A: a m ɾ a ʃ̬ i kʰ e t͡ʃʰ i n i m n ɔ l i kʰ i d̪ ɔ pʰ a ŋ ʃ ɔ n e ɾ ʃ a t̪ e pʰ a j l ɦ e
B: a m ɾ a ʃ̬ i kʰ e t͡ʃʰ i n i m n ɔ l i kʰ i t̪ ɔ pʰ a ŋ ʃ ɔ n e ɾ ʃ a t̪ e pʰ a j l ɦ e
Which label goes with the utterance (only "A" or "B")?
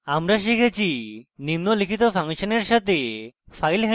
B